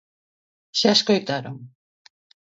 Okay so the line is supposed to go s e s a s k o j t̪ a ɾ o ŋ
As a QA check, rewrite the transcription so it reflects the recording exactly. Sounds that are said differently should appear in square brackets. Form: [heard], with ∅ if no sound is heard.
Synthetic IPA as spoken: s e [∅] a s k o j t̪ a ɾ o ŋ